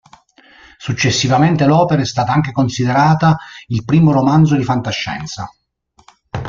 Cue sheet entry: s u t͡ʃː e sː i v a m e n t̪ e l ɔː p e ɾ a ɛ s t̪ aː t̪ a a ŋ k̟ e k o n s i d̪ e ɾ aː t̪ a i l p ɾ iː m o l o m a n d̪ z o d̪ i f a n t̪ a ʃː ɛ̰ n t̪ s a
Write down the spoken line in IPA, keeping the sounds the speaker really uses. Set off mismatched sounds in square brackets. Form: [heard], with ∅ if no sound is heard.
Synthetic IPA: s u t͡ʃː e sː i v a m e n t̪ e l ɔː p e ɾ a ɛ s t̪ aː t̪ a a ŋ k̟ e k o n s i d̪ e ɾ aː t̪ a i l p ɾ iː m o [ɾ] o m a n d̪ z o d̪ i f a n t̪ a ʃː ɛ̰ n t̪ s a